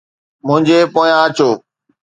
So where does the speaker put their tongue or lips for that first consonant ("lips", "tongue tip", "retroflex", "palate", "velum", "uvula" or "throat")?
lips